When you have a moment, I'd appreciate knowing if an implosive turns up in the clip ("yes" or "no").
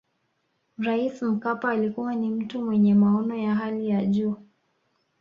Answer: yes